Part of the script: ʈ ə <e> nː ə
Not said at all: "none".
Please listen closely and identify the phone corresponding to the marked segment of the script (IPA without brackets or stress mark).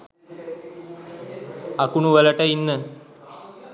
i